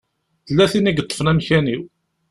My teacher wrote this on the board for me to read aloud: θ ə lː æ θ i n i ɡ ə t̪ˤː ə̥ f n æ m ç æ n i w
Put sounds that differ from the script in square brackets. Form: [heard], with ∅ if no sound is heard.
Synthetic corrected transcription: θ ə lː æ θ i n i ɡ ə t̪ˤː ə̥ f n æ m ç æ n i w